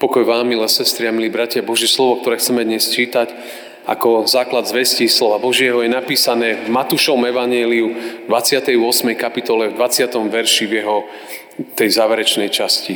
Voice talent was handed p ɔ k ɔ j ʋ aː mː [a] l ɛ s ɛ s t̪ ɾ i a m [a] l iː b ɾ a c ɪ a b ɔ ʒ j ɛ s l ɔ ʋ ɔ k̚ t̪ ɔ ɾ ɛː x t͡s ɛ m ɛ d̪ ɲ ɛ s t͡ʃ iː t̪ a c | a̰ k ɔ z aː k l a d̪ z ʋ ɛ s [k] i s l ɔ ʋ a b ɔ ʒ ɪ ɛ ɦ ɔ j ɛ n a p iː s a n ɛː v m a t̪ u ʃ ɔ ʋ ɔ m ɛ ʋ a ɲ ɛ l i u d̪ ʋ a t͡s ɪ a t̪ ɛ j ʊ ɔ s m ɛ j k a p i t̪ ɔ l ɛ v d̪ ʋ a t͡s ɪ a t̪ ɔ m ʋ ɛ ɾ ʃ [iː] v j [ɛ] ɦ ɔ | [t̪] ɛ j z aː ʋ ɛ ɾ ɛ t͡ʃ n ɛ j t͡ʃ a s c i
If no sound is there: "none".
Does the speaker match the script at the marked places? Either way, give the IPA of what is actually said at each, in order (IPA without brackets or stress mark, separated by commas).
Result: i, i, c, i, ɛ, t̪